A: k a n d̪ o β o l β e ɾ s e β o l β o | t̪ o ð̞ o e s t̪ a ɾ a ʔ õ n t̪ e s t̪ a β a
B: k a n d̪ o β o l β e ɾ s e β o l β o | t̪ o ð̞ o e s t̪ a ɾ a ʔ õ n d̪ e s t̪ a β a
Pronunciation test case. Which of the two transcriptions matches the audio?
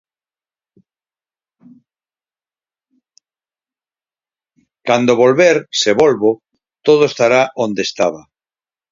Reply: B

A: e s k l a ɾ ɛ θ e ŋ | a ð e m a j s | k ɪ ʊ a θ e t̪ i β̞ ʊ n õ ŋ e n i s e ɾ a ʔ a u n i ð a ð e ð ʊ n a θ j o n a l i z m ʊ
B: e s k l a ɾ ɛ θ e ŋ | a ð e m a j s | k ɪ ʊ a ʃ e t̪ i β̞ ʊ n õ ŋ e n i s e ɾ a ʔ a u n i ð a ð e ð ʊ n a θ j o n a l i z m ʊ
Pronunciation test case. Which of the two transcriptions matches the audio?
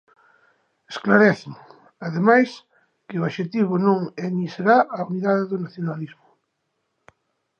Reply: B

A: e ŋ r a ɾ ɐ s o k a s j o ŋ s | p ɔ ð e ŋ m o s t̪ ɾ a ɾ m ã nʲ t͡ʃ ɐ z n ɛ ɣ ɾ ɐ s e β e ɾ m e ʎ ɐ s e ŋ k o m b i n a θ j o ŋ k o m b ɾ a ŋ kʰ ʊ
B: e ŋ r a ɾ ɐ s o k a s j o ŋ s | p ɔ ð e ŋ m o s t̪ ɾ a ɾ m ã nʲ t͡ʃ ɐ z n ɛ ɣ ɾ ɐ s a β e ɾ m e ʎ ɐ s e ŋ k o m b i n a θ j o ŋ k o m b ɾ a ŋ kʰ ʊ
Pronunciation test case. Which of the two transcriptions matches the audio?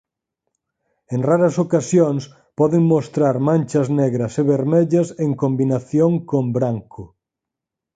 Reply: A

